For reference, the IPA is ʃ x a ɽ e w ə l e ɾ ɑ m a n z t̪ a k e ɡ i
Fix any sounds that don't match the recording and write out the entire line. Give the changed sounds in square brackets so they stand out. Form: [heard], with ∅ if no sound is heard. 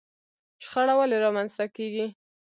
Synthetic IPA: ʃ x a ɽ [a] w [a] l e ɾ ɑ m a n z t̪ a k e ɡ i